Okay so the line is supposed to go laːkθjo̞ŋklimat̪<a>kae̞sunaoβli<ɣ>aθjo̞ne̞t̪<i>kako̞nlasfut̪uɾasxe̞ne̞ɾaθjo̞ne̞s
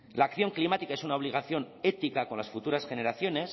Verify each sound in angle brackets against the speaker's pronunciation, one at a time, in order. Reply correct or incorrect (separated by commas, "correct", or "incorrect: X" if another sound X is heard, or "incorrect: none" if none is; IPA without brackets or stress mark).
incorrect: i, correct, correct